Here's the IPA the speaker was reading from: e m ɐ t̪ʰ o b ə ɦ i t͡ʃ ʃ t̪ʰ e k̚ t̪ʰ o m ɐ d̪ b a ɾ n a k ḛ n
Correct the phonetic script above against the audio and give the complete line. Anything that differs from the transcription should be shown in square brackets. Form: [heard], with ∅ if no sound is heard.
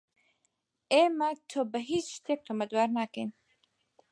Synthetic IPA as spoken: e m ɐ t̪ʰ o b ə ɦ i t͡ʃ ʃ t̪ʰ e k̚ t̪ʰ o m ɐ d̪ [w] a ɾ n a k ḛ n